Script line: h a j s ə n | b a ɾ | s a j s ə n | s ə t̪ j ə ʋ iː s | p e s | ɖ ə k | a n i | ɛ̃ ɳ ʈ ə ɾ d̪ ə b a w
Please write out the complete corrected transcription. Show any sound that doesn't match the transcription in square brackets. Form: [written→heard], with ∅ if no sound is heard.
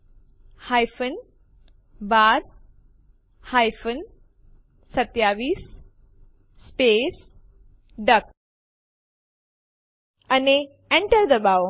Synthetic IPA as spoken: h a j [s→f] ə n | b a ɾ | [s→h] a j [s→f] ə n | s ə t̪ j [ə→a] ʋ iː s | p e s | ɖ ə k | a n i | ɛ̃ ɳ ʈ ə ɾ d̪ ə b a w